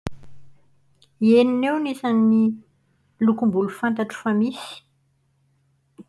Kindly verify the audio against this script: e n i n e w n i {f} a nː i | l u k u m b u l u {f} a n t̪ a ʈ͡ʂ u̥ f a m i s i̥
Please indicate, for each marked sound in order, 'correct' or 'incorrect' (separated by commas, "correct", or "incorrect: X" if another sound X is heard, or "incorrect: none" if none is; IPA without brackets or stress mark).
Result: incorrect: s, correct